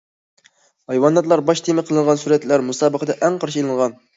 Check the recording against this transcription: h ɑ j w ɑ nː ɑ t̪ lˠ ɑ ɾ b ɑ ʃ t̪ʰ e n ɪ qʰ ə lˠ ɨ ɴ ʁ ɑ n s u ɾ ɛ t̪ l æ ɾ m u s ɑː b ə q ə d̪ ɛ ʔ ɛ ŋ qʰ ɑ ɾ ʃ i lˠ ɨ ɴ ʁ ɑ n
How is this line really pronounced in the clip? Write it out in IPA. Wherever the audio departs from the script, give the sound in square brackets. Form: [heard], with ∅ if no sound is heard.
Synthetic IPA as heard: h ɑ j w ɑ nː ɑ t̪ lˠ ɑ ɾ b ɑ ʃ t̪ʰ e [m] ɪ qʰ ə lˠ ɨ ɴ ʁ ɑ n s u ɾ ɛ t̪ l æ ɾ m u s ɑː b ə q ə d̪ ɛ ʔ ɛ ŋ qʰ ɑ ɾ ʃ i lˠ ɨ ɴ ʁ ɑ n